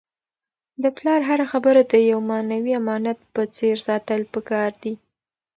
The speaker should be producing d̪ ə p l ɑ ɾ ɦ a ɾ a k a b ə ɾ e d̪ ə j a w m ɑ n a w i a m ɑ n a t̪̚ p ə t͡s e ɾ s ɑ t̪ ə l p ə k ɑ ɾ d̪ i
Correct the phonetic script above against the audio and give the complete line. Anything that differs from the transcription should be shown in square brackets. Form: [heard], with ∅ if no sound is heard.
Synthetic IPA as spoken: d̪ ə p l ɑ ɾ ɦ a ɾ a [x] a b ə ɾ [a] d̪ ə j a w m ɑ n a w i a m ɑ n a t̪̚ p ə t͡s e ɾ s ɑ t̪ ə l p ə k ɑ ɾ d̪ i